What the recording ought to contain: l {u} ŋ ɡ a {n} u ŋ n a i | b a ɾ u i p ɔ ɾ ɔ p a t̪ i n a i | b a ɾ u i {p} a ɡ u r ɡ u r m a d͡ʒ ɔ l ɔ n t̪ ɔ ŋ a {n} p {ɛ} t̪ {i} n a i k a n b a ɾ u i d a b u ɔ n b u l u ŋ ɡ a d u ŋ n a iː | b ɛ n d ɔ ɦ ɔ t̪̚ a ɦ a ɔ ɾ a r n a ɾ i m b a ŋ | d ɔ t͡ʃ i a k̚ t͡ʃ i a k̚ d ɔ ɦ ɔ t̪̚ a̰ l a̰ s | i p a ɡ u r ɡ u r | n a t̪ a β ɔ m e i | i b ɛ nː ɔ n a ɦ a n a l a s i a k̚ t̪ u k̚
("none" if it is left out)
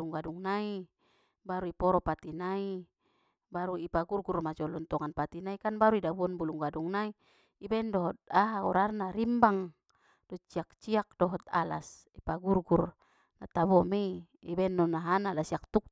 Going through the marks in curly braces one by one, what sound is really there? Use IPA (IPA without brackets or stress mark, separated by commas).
u, d, p, n, a, i